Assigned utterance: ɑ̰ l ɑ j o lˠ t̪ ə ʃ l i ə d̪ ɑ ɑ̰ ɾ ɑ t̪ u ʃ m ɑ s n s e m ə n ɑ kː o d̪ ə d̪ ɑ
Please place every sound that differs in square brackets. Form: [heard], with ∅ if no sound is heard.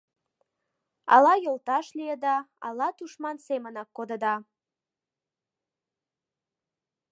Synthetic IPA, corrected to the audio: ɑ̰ l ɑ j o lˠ t̪ [ɑ] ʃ l i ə d̪ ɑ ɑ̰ [l] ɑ t̪ u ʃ m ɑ [∅] n s e m ə n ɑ kː o d̪ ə d̪ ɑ